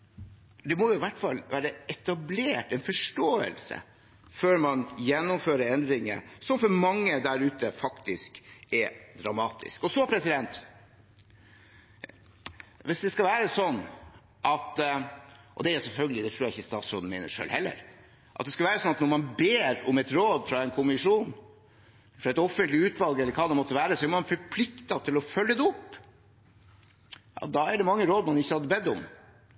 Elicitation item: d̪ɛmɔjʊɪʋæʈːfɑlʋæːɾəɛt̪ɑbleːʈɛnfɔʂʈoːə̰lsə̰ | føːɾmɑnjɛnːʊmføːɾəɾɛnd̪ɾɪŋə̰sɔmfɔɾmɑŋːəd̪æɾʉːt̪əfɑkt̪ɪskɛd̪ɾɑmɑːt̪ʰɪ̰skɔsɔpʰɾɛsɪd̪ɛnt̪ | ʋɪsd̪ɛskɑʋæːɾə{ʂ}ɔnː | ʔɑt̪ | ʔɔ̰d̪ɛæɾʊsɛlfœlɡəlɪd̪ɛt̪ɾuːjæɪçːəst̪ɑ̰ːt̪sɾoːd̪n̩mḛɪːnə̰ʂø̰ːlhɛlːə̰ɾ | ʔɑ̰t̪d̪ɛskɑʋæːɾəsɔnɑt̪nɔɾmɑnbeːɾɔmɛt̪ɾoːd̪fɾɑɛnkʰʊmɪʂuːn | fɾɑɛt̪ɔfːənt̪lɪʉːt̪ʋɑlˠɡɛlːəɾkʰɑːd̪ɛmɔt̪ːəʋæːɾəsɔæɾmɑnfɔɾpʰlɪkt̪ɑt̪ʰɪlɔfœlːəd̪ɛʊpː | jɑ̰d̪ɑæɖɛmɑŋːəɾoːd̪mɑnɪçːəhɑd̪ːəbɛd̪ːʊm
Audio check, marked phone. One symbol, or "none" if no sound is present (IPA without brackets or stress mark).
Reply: s